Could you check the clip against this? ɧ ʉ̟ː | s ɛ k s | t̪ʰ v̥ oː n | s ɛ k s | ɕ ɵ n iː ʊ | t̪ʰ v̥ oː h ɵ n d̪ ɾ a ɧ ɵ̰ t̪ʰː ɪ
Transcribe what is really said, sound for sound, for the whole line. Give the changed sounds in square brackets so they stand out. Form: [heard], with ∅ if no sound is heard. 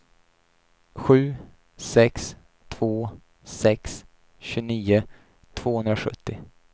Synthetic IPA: ɧ ʉ̟ː | s ɛ k s | t̪ʰ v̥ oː [∅] | s ɛ k s | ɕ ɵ n iː ʊ | t̪ʰ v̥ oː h ɵ n d̪ ɾ a ɧ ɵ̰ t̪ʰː ɪ